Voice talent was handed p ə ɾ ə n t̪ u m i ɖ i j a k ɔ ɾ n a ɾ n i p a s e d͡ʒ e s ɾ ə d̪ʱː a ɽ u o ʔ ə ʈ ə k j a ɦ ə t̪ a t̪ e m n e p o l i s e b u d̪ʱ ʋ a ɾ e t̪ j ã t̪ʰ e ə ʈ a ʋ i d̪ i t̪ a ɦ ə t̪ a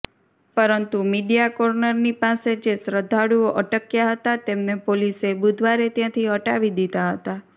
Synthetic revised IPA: p ə ɾ ə n t̪ u m i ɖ i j a k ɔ ɾ n ə ɾ n i p a s e d͡ʒ e s ɾ ə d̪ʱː a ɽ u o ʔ ə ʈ ə k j a ɦ ə t̪ a t̪ e m n e p o l i s e b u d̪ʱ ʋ a ɾ e t̪ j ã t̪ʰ i ə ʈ a ʋ i d̪ i t̪ a ɦ ə t̪ a